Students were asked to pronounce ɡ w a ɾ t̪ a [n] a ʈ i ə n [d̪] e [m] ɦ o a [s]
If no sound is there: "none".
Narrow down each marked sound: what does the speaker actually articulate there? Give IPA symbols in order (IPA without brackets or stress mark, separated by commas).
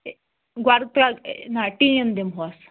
n, d̪, m, s